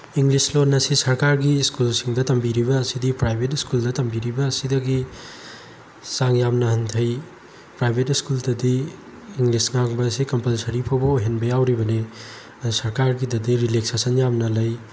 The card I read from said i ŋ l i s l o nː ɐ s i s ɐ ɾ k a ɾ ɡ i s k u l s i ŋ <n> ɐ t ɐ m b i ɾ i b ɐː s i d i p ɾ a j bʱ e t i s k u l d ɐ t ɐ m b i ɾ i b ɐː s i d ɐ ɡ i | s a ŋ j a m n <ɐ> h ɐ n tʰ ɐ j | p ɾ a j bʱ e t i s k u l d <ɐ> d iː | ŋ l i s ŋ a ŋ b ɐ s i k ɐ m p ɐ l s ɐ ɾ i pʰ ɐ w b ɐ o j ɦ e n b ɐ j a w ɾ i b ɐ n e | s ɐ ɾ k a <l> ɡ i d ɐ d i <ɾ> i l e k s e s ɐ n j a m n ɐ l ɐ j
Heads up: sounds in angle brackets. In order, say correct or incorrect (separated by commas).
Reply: incorrect, correct, correct, incorrect, correct